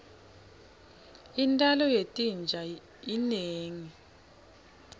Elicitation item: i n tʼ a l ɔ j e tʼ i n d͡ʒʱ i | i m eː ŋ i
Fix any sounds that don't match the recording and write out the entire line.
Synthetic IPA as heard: i n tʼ a l ɔ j e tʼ i n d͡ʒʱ a | i n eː ŋ i